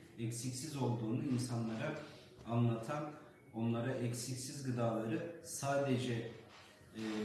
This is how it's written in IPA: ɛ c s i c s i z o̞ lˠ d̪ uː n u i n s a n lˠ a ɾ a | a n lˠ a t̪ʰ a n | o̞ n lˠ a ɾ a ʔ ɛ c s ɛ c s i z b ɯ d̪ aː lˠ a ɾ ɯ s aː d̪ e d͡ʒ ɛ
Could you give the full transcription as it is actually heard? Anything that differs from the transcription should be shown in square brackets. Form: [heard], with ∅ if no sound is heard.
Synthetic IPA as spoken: ɛ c s i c s i z o̞ lˠ d̪ uː n u i n s a n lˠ a ɾ a | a n lˠ a t̪ʰ a n | o̞ n lˠ a ɾ a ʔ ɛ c s [i] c s i z [ɡ] ɯ d̪ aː lˠ a ɾ ɯ s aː d̪ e d͡ʒ ɛ